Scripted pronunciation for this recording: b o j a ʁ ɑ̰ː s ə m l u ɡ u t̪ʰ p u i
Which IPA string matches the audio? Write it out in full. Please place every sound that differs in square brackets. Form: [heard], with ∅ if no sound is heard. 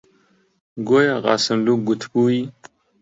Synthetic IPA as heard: [ɡ] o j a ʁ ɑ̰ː s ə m l u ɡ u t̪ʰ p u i